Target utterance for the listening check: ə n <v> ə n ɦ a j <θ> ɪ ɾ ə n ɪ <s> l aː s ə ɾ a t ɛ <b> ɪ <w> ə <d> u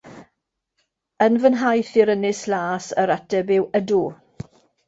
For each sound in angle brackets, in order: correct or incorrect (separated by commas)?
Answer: correct, correct, correct, correct, correct, correct